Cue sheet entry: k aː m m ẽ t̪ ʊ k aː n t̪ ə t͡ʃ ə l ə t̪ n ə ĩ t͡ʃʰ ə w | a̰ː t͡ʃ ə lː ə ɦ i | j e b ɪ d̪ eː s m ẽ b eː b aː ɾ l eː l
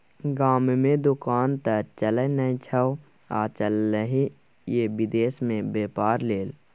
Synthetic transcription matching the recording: ɡ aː m m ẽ d̪ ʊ k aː n t̪ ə t͡ʃ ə l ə n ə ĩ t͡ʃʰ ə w | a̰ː t͡ʃ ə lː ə ɦ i | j e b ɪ d̪ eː s m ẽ b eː p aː ɾ l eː l